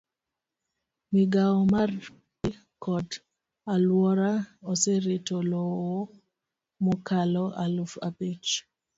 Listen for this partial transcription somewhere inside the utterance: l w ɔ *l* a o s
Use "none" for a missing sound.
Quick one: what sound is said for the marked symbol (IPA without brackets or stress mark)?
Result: ɾ